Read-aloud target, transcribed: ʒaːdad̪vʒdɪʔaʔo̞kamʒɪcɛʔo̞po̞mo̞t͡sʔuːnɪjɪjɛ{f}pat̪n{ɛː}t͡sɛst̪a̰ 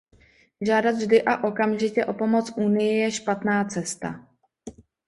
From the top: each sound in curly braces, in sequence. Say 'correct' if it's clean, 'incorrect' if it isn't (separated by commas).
incorrect, incorrect